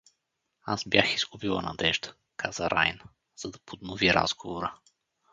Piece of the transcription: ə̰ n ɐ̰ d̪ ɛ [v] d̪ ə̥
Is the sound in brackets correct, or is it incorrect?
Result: incorrect